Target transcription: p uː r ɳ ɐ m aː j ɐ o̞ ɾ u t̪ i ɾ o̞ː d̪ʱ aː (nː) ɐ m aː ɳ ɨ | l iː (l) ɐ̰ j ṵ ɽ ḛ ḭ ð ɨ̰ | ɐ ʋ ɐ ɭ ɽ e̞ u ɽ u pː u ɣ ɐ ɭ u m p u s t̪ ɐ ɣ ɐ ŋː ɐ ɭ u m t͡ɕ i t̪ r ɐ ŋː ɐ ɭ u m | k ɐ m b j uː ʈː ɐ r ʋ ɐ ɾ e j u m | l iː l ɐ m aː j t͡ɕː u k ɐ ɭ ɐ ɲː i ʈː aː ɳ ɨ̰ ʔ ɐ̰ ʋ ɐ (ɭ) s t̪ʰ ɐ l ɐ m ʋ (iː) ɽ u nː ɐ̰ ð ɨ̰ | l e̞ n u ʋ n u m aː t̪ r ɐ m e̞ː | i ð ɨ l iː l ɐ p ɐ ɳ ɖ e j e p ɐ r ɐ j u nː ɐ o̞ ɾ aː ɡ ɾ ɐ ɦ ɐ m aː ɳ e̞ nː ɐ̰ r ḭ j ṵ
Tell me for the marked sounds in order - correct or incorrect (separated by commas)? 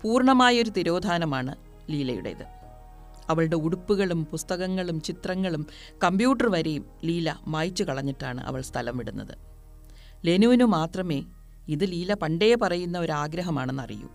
incorrect, correct, correct, incorrect